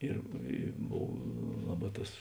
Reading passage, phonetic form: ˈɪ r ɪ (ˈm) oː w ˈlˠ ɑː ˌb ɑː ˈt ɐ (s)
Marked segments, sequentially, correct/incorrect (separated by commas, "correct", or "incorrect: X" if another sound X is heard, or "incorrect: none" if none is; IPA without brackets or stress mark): incorrect: b, correct